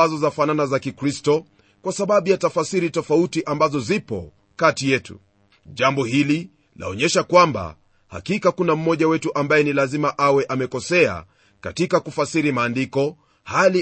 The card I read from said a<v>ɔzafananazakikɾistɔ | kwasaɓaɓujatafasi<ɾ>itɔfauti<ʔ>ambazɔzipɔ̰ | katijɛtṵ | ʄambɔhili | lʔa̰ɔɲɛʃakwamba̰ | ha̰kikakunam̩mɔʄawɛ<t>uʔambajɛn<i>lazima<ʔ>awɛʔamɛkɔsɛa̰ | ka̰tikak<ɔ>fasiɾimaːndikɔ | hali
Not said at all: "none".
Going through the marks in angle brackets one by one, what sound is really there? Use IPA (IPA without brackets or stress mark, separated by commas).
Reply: z, ɾ, ʔ, t, i, ʔ, u